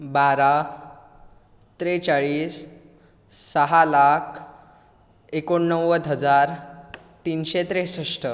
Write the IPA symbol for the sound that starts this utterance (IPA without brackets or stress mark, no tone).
b